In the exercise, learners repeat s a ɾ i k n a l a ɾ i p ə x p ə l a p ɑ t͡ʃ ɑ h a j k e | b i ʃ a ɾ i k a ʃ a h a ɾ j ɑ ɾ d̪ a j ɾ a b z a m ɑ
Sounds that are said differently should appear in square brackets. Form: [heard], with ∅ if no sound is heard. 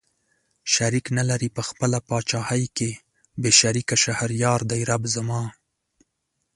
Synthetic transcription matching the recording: [ʃ] a ɾ i k n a l a ɾ i p ə x p ə l a p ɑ t͡ʃ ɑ h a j k e | b [e] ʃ a ɾ i k a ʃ a h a ɾ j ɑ ɾ d̪ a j ɾ a b z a m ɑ